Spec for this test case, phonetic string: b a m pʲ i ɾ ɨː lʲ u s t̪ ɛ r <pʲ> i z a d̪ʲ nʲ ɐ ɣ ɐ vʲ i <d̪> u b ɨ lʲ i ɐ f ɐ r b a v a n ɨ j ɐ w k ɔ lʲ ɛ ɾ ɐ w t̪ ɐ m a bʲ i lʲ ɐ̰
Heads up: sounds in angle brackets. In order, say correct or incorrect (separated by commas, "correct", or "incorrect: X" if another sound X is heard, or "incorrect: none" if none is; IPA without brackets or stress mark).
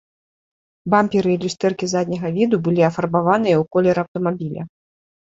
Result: incorrect: kʲ, correct